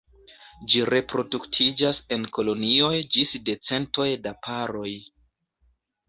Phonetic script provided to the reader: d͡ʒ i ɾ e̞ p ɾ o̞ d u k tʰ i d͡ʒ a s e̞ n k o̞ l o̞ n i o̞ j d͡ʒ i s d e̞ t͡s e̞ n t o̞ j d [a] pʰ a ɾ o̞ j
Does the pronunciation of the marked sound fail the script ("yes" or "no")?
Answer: no